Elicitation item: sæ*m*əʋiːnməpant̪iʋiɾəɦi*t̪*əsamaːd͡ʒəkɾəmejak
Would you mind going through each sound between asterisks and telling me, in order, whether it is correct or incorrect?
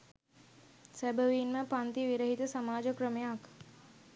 incorrect, correct

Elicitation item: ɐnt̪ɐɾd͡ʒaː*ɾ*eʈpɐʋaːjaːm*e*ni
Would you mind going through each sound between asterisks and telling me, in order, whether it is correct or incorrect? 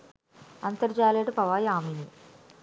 incorrect, incorrect

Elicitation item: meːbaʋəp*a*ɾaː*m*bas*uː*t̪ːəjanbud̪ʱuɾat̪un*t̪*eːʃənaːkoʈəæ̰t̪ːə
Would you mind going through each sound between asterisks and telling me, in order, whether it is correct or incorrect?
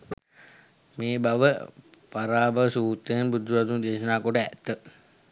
correct, incorrect, correct, incorrect

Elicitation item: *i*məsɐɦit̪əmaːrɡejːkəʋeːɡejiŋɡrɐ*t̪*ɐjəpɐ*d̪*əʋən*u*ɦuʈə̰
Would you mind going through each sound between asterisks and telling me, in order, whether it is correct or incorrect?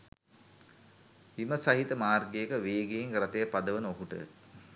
correct, correct, correct, incorrect

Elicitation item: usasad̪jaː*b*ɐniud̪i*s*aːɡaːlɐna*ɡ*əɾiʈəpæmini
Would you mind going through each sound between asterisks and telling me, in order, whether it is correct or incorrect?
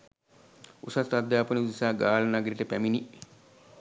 incorrect, correct, correct

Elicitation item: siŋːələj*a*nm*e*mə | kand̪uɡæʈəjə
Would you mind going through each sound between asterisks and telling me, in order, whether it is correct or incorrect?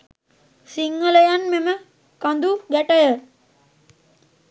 correct, correct

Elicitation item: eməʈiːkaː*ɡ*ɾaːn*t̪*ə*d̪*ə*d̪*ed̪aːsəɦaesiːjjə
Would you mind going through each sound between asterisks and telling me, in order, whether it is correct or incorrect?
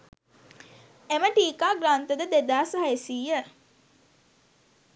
correct, correct, correct, correct

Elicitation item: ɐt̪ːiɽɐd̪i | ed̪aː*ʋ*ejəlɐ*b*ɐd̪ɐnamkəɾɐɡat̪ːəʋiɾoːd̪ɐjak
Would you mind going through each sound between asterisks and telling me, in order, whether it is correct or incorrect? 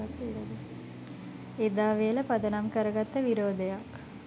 correct, incorrect

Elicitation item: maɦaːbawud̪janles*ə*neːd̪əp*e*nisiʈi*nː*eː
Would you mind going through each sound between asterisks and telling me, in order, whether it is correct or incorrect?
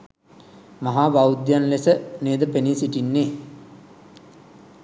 correct, correct, correct

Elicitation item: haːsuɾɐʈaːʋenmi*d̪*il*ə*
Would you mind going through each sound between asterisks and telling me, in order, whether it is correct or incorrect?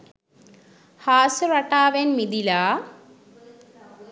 correct, incorrect

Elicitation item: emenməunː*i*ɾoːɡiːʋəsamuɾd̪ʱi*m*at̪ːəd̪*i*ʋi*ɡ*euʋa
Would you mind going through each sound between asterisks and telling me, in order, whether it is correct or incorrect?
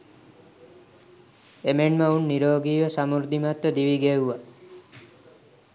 correct, correct, correct, correct

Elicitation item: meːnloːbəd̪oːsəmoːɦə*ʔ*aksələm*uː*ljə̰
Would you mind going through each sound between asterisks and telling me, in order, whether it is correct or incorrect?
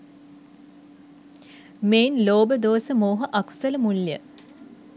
correct, incorrect

